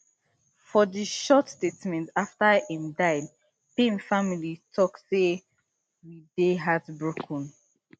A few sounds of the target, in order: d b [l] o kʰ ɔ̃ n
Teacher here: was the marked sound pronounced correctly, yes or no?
no